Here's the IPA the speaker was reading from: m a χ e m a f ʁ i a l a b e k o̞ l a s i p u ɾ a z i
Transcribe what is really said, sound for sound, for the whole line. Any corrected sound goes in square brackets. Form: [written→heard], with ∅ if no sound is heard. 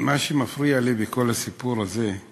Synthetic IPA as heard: m a [χ→ʃ] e m a f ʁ i a l [a→i] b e k o̞ l a s i p u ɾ a z [i→e]